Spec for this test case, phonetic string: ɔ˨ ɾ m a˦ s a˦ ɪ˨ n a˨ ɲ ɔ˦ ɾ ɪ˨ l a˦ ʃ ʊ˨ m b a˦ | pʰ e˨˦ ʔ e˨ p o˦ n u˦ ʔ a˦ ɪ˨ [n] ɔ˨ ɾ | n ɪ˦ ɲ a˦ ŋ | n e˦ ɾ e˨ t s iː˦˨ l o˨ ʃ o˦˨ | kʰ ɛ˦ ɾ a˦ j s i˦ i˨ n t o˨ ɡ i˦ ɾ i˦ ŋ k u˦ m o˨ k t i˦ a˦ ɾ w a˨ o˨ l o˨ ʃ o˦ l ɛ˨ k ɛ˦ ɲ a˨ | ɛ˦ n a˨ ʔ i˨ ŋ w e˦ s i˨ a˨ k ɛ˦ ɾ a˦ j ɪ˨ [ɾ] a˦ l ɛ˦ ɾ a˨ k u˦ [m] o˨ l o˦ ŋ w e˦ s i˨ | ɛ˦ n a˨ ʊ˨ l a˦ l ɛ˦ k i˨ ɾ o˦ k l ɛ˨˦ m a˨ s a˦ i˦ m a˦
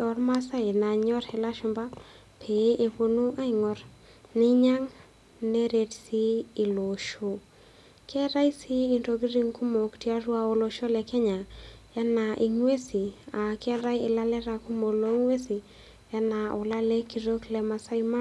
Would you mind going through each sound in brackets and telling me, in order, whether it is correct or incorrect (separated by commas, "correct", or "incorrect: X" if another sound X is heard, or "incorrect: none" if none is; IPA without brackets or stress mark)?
incorrect: ŋ, incorrect: l, correct